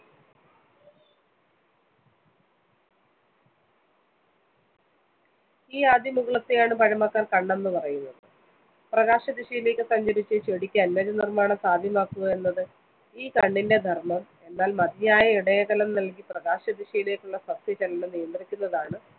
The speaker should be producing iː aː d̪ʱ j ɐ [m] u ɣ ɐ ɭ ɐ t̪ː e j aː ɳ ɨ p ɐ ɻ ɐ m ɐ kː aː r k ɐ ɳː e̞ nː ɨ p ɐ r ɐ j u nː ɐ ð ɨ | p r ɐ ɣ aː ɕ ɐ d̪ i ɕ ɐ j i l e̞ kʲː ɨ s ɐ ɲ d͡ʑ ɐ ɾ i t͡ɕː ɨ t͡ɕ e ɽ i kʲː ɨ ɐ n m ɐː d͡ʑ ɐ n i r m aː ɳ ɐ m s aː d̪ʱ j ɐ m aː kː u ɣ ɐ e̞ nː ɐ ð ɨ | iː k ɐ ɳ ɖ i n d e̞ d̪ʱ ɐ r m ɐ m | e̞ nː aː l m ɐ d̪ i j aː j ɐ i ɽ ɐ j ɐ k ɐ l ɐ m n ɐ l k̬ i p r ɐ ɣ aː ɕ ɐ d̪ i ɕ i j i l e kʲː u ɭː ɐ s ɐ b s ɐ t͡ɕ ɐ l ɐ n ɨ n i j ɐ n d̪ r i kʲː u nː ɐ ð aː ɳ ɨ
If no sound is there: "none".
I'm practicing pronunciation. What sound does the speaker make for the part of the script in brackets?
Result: m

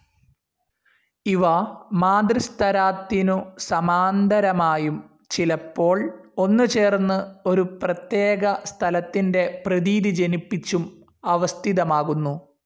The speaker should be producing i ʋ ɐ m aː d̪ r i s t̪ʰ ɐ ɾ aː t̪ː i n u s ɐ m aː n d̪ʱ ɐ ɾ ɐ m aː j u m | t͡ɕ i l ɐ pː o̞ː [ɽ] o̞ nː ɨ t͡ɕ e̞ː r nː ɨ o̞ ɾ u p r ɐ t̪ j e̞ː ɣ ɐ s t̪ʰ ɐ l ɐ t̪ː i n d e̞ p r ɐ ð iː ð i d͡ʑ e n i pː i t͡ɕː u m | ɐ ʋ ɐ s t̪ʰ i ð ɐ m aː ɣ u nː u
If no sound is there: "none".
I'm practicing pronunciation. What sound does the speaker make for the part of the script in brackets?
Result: ɭ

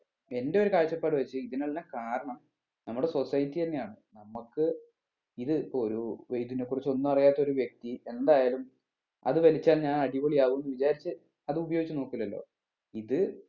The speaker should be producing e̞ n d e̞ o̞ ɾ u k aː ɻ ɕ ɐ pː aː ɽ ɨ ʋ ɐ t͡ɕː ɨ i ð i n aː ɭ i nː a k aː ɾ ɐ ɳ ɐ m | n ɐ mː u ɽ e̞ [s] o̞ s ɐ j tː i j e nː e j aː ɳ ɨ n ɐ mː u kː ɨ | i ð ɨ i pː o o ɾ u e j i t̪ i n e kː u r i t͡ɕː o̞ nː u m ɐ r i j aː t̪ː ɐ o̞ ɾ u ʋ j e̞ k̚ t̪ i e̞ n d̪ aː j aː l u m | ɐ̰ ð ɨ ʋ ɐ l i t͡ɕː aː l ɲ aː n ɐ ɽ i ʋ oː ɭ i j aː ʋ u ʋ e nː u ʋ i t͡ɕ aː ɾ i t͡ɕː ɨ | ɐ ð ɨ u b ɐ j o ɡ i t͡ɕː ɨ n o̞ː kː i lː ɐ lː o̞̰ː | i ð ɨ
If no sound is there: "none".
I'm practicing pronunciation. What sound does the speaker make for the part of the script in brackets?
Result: s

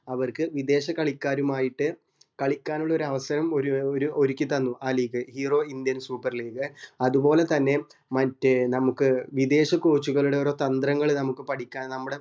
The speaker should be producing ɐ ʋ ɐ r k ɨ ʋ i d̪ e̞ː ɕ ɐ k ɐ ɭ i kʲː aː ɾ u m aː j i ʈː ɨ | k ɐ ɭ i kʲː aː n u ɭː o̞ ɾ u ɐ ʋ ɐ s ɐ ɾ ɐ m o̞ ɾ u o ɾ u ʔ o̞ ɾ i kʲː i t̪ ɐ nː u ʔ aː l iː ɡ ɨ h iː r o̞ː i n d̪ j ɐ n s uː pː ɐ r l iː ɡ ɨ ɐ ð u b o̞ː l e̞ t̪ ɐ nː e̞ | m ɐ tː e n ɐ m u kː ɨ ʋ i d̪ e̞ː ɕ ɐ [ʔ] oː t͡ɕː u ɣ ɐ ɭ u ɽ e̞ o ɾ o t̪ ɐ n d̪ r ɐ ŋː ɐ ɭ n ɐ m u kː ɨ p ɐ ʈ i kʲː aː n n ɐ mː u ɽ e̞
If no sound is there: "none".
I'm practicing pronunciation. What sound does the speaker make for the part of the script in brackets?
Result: k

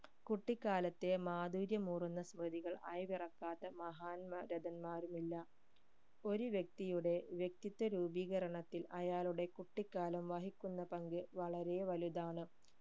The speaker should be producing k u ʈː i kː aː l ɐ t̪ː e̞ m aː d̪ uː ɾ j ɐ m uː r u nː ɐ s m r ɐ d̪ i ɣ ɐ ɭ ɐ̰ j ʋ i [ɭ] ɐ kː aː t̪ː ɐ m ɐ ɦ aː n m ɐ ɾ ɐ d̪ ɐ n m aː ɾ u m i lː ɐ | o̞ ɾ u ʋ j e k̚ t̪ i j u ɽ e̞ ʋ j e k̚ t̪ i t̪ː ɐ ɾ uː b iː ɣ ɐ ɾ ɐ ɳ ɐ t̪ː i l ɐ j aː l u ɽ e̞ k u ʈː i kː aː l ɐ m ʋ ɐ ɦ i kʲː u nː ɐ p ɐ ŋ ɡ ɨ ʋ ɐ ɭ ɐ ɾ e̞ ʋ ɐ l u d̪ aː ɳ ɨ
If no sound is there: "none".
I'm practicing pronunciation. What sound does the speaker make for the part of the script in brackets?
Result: r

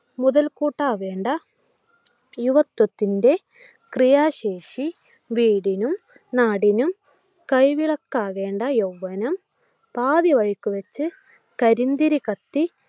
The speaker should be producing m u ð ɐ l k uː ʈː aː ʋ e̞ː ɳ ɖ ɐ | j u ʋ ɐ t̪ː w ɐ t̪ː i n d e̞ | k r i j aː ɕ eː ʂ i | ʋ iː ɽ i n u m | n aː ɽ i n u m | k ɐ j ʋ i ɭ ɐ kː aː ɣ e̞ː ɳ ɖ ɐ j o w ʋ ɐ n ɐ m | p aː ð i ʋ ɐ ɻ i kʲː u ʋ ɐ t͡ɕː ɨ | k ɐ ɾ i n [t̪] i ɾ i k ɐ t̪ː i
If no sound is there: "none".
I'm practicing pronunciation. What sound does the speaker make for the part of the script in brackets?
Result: d̪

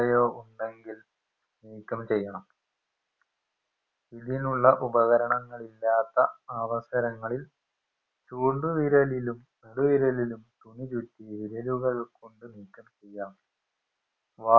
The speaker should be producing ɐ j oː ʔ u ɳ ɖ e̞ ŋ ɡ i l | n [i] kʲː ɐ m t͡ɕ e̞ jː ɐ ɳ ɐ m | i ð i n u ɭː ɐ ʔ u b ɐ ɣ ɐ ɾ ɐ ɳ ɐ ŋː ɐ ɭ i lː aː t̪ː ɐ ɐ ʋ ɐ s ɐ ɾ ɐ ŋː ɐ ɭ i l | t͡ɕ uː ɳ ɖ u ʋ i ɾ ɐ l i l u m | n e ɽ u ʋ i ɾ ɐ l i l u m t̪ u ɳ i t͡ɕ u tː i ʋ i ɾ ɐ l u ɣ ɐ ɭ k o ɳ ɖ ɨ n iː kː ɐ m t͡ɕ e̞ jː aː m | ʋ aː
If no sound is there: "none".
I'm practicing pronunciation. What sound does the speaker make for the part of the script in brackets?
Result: iː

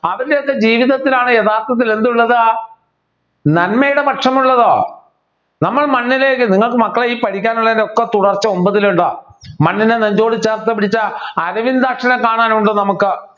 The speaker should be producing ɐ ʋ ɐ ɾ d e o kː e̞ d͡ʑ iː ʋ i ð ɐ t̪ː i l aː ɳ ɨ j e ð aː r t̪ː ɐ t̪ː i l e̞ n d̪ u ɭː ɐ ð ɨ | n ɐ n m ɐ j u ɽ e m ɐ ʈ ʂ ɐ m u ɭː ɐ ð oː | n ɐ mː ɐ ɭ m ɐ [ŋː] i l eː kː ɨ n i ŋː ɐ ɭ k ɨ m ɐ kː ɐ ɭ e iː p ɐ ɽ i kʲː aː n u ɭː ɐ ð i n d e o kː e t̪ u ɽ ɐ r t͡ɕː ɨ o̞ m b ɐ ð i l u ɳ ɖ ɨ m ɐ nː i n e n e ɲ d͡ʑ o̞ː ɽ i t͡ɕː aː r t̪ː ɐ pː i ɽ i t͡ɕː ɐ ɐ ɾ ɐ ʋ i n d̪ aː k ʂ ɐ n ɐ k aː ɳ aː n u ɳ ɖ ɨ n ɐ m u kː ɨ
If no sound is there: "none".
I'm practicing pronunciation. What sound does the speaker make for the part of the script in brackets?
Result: nː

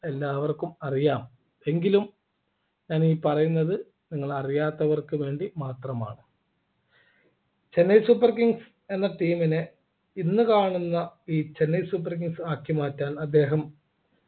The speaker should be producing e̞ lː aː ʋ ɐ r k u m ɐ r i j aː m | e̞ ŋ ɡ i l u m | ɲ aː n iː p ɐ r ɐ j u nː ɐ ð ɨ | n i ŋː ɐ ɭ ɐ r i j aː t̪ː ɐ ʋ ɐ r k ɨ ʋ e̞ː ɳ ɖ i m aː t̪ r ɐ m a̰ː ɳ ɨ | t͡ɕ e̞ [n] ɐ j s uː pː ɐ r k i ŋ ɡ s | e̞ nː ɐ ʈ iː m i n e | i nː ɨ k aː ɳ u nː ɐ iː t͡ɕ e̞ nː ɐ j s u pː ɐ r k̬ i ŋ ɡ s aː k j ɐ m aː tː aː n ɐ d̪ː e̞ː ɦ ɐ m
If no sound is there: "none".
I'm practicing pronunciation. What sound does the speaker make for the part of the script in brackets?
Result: nː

